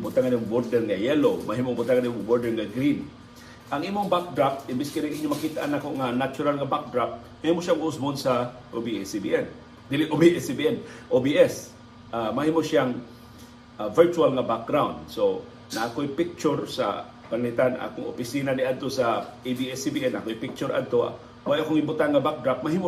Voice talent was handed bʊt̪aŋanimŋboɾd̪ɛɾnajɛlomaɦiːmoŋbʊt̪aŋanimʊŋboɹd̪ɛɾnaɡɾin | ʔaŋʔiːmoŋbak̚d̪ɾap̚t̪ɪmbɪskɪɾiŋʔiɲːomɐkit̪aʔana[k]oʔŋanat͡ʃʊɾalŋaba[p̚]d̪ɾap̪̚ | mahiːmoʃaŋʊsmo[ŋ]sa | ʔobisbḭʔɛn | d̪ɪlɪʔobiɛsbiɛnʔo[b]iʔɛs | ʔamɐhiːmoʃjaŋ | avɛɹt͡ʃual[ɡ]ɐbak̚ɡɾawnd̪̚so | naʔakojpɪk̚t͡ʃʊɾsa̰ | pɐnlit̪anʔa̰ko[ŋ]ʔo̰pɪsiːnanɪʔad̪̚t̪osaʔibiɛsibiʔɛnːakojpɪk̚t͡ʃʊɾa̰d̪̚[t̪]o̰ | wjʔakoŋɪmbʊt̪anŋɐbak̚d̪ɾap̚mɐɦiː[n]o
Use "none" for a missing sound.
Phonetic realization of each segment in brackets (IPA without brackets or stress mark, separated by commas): k, k̚, n, b, ŋ, ŋ, t̪, m